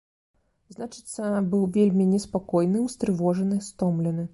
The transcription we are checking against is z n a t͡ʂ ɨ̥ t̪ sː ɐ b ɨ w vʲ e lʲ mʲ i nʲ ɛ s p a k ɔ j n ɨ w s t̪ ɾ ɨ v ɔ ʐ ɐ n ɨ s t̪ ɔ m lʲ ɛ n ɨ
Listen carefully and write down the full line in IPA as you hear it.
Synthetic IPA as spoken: z n a t͡ʂ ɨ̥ t̪ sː ɐ b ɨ w vʲ e lʲ mʲ i nʲ ɛ s p a k ɔ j n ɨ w s t̪ ɾ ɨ v ɔ ʐ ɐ n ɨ s t̪ ɔ m lʲ ɛ n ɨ